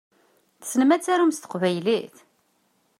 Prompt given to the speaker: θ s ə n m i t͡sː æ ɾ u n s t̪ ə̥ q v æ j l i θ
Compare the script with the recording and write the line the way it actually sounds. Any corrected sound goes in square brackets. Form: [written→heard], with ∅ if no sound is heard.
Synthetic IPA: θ s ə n m [i→æ] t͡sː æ ɾ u [n→m] s t̪ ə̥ q v æ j l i θ